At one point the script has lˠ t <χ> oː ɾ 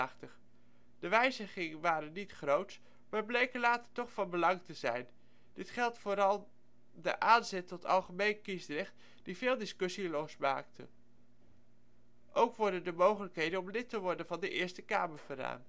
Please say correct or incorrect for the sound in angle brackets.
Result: incorrect